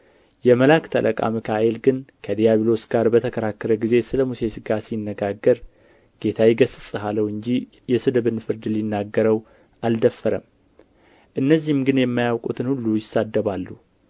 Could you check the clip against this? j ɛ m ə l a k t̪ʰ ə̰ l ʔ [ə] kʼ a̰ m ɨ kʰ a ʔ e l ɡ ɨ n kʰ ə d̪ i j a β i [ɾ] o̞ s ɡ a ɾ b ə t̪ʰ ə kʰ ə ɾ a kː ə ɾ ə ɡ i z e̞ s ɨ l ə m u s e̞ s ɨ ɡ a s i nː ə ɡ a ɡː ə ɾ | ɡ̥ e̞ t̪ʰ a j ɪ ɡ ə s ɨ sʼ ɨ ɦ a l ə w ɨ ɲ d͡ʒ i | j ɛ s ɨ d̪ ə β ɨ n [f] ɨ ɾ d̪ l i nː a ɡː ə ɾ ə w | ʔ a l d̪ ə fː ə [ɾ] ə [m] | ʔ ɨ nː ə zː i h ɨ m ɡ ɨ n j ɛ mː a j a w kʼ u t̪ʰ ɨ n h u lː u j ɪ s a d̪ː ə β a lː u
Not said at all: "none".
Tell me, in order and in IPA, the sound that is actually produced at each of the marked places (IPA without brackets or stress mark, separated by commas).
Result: ə, l, f, ɾ, m